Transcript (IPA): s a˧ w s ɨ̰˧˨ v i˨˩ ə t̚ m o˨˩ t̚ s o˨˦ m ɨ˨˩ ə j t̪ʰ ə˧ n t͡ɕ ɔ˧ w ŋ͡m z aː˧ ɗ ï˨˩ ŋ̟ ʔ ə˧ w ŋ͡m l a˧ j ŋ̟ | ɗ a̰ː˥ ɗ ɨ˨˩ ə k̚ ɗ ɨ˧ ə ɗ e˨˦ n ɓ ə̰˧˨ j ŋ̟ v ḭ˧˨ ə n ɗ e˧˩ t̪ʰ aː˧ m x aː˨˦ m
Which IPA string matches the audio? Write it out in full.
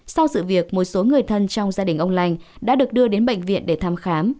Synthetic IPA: s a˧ w s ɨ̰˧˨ v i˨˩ ə k̚ m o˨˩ t̚ s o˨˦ ŋ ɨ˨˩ ə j t̪ʰ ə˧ n t͡ɕ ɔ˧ w ŋ͡m z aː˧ ɗ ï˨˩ ŋ̟ ʔ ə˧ w ŋ͡m l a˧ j ŋ̟ | ɗ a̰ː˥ ɗ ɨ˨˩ ə k̚ ɗ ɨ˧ ə ɗ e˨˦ n ɓ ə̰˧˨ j ŋ̟ v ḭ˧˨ ə n ɗ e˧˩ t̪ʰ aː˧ m x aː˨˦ m

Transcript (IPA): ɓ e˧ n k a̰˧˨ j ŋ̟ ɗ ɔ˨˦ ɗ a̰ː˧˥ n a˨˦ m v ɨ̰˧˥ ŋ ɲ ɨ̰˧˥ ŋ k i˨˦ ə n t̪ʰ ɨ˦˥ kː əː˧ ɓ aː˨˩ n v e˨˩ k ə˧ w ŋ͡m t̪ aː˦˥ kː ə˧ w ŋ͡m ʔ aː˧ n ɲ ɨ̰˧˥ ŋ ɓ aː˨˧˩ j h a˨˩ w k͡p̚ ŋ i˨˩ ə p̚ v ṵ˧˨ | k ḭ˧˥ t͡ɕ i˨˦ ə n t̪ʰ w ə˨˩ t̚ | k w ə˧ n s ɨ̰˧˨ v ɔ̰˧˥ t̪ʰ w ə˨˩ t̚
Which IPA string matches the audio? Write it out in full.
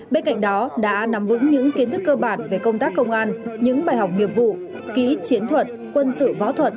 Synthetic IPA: ɓ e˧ n k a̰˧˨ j ŋ̟ ɗ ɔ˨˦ ɗ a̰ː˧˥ n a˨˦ m v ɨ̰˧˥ ŋ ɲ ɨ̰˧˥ ŋ k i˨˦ ə n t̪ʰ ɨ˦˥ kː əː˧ ɓ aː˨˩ n v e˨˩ k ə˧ w ŋ͡m t̪ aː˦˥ kː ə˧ w ŋ͡m ʔ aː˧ n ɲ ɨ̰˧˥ ŋ ɓ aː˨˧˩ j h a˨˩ w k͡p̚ ŋ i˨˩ ə p̚ v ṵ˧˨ | k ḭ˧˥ t͡ɕ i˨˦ ə n t̪ʰ w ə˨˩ t̚ | k w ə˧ n s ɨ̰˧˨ v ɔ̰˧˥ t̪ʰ w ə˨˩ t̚

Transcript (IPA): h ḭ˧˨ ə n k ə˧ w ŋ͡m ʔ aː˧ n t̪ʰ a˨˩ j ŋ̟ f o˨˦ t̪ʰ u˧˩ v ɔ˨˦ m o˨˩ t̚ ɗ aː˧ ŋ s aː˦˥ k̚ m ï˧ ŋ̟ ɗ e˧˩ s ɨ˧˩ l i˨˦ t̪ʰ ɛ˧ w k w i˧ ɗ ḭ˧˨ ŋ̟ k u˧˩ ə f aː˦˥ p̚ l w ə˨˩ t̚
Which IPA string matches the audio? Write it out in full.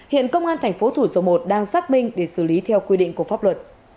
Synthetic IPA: h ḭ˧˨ ə n k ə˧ w ŋ͡m ʔ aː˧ n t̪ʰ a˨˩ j ŋ̟ f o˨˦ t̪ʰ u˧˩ z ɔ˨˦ m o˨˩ t̚ ɗ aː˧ ŋ s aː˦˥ k̚ m ï˧ ŋ̟ ɗ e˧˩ s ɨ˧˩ l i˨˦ t̪ʰ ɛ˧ w k w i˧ ɗ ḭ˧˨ ŋ̟ k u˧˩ ə f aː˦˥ p̚ l w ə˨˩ t̚

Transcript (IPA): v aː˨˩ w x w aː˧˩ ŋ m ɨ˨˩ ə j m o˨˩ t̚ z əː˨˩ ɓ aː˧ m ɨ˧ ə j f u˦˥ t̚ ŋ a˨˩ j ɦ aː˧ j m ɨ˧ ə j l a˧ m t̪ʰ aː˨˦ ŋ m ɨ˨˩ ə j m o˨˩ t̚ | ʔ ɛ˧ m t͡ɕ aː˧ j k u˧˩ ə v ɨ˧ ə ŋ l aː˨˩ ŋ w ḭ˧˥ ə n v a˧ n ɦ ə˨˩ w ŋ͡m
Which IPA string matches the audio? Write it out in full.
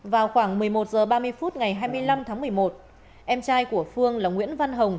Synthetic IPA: v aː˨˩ w x w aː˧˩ ŋ m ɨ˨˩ ə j m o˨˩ t̚ z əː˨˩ ɓ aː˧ m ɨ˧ ə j f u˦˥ t̚ ŋ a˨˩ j ɦ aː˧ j m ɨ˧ ə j l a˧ m t̪ʰ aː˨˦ ŋ m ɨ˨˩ ə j m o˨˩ t̚ | ʔ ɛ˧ m t͡ɕ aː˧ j k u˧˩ ə f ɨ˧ ə ŋ l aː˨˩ ŋ w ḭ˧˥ ə n v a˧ n ɦ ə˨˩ w ŋ͡m

